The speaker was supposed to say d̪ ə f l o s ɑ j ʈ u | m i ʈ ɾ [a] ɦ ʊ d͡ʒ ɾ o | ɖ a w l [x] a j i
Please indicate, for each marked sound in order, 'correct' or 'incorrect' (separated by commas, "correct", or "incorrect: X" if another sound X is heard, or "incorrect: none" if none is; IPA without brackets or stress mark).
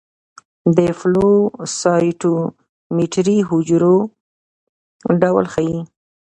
incorrect: i, correct